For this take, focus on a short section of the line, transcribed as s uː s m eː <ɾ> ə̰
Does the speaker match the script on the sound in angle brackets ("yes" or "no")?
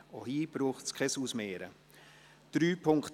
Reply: yes